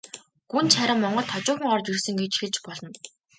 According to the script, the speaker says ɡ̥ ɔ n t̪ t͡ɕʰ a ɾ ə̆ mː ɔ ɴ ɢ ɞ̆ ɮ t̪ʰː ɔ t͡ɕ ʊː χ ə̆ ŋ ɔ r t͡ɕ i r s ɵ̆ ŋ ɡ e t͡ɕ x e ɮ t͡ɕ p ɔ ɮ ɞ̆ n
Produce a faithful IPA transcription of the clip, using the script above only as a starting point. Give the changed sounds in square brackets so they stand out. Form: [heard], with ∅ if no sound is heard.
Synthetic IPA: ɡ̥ [u] n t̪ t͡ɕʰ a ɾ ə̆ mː ɔ ɴ ɢ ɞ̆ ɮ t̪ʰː ɔ t͡ɕ ʊː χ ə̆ ŋ ɔ r t͡ɕ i r s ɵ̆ ŋ ɡ e t͡ɕ x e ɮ t͡ɕ p ɔ ɮ ɞ̆ n